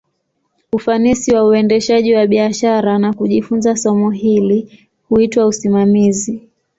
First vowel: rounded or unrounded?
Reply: rounded